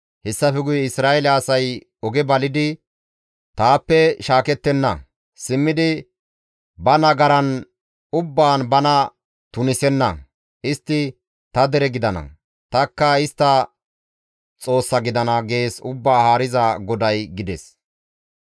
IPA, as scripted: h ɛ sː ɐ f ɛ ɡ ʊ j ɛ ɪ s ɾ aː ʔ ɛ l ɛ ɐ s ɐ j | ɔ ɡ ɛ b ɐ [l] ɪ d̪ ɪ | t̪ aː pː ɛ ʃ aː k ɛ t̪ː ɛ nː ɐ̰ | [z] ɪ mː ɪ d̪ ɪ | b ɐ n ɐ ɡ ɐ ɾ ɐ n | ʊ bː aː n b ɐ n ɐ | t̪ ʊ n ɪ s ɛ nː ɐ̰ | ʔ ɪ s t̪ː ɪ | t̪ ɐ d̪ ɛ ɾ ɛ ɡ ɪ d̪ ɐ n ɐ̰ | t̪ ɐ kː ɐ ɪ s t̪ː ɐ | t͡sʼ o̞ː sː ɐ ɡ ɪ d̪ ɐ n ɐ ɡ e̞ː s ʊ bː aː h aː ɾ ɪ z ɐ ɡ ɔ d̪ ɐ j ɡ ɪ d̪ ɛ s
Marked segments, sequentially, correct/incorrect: correct, incorrect: s

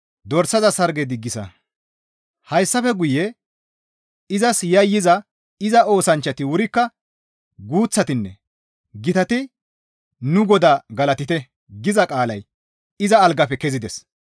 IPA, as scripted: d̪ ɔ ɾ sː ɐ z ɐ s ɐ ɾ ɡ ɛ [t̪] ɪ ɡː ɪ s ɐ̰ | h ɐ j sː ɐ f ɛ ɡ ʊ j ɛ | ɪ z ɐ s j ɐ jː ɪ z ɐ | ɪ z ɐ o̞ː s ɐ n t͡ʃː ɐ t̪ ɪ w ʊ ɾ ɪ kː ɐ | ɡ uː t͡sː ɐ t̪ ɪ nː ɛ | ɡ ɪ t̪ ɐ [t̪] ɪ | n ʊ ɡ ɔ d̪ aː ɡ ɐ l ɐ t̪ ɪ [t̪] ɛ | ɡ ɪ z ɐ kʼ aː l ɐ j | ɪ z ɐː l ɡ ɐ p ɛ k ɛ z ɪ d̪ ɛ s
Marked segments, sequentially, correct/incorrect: incorrect: d̪, correct, correct

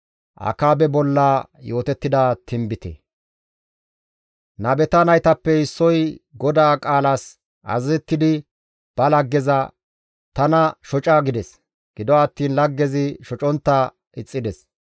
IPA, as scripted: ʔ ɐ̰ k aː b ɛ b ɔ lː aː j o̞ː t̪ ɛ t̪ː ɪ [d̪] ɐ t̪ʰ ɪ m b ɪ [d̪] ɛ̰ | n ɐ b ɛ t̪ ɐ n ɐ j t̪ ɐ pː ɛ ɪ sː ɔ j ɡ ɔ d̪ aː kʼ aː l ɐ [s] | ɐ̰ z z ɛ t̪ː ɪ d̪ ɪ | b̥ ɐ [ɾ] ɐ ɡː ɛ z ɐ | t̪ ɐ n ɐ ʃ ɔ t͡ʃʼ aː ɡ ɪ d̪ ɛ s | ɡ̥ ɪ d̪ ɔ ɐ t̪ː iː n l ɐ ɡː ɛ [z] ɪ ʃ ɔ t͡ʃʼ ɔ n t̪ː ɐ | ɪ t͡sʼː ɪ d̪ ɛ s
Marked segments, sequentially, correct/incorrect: correct, incorrect: t̪, correct, incorrect: l, correct

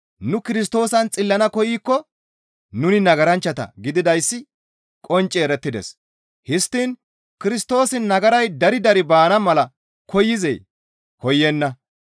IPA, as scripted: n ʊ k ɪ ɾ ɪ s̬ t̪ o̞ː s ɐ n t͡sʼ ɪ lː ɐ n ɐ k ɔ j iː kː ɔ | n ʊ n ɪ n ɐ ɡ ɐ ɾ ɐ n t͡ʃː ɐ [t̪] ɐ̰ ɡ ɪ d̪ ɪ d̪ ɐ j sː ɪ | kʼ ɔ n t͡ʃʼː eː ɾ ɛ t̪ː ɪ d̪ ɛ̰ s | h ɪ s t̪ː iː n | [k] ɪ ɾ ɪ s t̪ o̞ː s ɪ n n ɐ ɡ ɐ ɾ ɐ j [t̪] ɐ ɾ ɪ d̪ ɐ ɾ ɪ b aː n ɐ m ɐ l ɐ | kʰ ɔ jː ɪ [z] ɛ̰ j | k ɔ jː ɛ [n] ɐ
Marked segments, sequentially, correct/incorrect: correct, correct, incorrect: d̪, correct, incorrect: nː

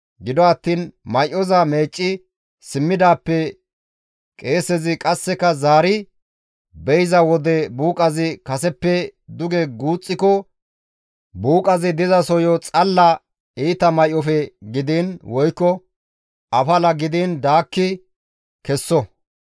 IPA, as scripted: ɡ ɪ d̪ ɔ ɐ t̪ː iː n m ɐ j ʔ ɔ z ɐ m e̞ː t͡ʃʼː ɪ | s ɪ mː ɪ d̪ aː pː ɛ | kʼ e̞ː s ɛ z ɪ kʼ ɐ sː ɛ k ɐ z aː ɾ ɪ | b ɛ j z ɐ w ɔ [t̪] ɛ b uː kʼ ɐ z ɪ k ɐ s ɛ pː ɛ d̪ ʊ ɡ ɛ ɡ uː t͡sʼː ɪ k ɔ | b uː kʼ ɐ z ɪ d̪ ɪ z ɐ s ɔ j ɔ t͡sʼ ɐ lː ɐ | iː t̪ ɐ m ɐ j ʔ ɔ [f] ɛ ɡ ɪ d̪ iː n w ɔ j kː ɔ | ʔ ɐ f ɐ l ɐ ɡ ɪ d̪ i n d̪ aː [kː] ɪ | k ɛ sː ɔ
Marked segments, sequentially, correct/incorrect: incorrect: d̪, correct, correct

